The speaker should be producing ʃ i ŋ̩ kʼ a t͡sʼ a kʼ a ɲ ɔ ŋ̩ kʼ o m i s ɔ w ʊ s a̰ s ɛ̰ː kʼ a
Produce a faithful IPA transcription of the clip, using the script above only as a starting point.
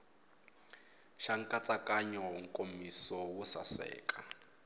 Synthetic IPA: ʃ a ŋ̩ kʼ a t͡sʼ a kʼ a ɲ ɔ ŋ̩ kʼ o m i s ɔ w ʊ s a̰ s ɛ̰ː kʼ a